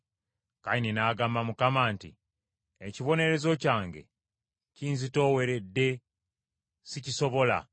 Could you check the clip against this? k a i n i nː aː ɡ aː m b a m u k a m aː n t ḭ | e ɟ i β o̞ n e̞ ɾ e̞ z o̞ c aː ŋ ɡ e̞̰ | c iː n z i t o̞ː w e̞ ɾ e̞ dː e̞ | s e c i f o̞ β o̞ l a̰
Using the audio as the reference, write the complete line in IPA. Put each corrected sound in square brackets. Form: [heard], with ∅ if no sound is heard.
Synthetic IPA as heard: k a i n i [n] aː ɡ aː m b a m u k a m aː n t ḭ | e [c] i β o̞ n e̞ ɾ e̞ z o̞ c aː ŋ ɡ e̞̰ | c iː n z i t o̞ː w e̞ ɾ e̞ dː e̞ | s [i] c i [s] o̞ β o̞ l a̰

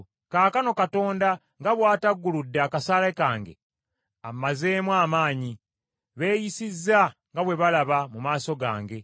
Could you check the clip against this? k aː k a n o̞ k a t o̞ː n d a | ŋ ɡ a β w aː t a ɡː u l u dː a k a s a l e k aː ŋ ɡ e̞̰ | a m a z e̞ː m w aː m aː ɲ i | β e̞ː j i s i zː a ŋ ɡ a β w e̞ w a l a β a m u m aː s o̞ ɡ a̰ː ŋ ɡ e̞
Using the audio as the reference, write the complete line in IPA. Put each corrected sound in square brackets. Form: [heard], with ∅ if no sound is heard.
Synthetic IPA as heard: k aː k a n o̞ k a t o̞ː n d a | ŋ ɡ a β w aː t a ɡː u l u dː a k a s a l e k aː ŋ ɡ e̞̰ | a m a z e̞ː m w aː m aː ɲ i | β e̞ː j i s i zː a ŋ ɡ a β w e̞ [β] a l a β a m u m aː s o̞ ɡ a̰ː ŋ ɡ e̞

